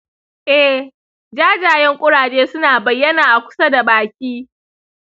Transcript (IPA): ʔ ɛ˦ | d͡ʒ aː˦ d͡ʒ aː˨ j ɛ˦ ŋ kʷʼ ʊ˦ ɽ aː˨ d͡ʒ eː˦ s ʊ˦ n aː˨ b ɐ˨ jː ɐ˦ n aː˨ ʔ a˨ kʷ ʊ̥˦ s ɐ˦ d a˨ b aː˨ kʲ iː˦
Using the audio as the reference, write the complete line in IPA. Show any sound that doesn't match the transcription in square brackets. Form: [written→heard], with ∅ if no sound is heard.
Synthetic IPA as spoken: ʔ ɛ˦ | d͡ʒ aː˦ d͡ʒ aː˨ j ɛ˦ ŋ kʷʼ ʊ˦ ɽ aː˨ d͡ʒ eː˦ s ʊ˦ n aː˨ b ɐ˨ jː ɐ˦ n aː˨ ʔ a˨ kʷ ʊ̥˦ s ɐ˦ d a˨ b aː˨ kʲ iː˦